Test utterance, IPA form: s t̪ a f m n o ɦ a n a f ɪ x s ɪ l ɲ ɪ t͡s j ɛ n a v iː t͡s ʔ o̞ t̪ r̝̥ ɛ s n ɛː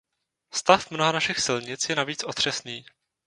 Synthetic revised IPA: s t̪ a f m n o ɦ a n a ʃ ɪ x s ɪ l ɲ ɪ t͡s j ɛ n a v iː t͡s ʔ o̞ t̪ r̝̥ ɛ s n iː